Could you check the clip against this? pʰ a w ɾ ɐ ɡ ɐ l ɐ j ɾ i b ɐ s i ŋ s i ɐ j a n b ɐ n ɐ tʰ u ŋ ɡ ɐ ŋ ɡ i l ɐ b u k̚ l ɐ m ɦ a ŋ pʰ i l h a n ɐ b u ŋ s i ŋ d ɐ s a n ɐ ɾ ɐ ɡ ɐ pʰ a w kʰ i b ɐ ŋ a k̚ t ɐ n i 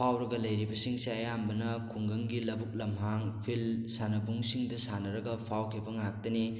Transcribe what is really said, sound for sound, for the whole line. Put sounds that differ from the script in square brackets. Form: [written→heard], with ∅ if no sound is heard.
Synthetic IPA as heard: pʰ a w ɾ ɐ ɡ ɐ l ɐ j ɾ i b ɐ s i ŋ s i ɐ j a [n→m] b ɐ n ɐ [tʰ→kʰ] u ŋ ɡ ɐ ŋ ɡ i l ɐ b u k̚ l ɐ m ɦ a ŋ pʰ i l [h→s] a n ɐ b u ŋ s i ŋ d ɐ s a n ɐ ɾ ɐ ɡ ɐ pʰ a w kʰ i b ɐ ŋ a k̚ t ɐ n i